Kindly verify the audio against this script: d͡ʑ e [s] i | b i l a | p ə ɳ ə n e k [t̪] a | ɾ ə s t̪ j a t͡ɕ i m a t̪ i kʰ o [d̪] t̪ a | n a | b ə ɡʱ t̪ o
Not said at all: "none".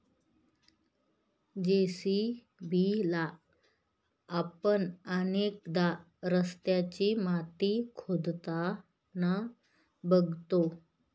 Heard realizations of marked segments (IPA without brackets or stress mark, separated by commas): s, d̪, d̪